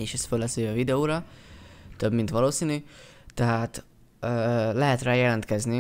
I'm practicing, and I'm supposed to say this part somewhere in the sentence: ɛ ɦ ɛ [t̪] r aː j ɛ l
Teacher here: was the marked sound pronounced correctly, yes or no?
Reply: yes